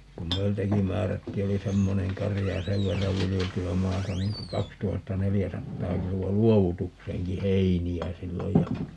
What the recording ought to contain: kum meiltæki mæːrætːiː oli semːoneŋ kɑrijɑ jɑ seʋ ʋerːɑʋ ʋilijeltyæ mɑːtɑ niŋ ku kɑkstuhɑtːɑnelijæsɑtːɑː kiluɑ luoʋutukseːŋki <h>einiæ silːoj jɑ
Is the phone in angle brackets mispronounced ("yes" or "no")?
no